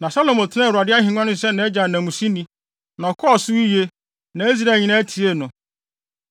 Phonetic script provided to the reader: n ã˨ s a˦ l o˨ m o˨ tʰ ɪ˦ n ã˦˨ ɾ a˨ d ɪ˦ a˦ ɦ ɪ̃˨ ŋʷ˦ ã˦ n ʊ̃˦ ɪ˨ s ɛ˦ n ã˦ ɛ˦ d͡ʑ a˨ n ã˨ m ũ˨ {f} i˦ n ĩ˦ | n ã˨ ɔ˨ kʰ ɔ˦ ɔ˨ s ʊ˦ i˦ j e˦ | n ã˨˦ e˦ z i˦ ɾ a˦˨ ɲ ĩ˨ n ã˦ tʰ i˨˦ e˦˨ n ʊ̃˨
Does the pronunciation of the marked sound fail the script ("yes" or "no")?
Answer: yes